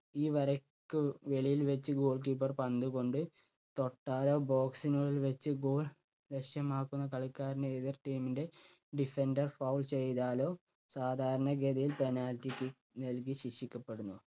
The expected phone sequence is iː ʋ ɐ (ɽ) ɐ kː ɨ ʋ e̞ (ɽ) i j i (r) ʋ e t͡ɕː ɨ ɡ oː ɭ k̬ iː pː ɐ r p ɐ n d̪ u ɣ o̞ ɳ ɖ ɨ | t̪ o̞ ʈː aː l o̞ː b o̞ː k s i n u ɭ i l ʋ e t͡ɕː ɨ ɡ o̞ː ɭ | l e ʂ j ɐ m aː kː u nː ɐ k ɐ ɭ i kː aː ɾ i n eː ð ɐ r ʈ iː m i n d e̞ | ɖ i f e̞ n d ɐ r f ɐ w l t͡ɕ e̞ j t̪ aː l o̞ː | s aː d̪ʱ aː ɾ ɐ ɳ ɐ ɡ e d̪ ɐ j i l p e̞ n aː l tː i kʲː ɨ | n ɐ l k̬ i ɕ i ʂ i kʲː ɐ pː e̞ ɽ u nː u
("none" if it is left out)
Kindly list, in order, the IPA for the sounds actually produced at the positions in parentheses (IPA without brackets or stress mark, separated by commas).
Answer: ɾ, ɭ, l